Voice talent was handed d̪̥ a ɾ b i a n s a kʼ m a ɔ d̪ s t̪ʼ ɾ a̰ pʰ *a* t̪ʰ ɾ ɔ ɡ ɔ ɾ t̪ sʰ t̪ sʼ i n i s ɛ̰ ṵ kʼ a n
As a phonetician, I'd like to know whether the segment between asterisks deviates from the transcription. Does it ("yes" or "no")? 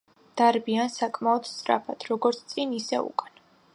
no